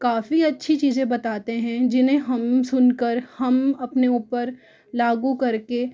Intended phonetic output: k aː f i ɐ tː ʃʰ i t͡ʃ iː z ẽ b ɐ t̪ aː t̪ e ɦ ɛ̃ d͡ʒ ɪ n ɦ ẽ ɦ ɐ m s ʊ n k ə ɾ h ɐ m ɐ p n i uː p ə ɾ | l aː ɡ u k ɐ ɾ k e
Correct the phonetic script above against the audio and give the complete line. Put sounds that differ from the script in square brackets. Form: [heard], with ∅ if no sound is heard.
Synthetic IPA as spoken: k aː f i ɐ tː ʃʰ i t͡ʃ iː z ẽ b ɐ t̪ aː t̪ e ɦ ɛ̃ d͡ʒ ɪ n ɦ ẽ ɦ ɐ m s ʊ n k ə ɾ h ɐ m ɐ p n [e] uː p ə ɾ | l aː ɡ u k ɐ ɾ k e